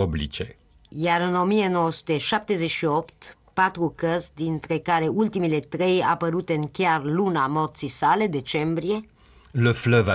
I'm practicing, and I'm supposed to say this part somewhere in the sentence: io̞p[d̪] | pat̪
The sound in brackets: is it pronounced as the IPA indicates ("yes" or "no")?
no